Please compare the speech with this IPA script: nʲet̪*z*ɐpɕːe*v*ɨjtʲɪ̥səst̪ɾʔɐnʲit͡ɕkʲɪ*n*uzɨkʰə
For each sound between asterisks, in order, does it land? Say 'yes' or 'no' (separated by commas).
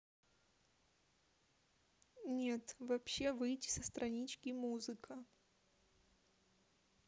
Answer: no, yes, no